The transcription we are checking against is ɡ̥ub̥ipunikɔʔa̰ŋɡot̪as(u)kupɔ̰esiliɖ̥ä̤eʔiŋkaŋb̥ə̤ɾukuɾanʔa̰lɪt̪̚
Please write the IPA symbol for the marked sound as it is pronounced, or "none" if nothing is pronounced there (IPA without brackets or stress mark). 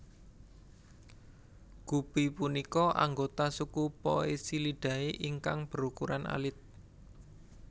u